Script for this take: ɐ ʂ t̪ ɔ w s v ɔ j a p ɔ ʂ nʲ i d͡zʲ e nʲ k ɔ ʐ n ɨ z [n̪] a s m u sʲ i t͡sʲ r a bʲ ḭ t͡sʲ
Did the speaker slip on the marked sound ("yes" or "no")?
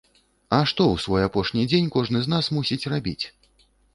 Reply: no